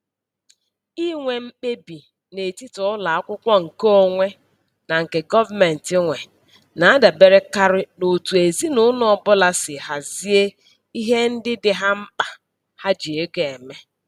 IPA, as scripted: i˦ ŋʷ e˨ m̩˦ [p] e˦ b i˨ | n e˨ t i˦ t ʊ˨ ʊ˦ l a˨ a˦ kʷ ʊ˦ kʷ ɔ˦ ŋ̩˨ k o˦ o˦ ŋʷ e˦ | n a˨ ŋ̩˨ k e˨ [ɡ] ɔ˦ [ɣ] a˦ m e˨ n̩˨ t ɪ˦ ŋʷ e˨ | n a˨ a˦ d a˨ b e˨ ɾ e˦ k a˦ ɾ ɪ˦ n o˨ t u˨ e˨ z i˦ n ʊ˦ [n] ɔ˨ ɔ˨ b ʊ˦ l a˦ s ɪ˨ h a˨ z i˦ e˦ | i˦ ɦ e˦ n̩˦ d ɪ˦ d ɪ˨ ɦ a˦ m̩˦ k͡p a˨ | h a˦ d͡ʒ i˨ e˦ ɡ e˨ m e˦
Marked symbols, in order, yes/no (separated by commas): no, yes, no, yes